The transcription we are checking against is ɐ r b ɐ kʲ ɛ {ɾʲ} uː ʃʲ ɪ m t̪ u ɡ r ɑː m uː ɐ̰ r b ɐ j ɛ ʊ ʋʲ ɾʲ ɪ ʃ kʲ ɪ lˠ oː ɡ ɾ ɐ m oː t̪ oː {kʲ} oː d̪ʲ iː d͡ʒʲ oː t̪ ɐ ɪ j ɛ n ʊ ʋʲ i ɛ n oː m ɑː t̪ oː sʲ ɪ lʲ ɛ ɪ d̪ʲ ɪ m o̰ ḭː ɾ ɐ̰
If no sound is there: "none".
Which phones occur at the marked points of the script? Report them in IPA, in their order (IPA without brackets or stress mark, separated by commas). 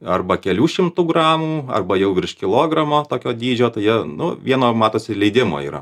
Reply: lʲ, kʲ